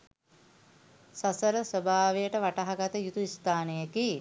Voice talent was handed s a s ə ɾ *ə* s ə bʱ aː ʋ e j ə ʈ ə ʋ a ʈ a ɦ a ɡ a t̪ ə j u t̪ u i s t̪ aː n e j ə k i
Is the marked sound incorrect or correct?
correct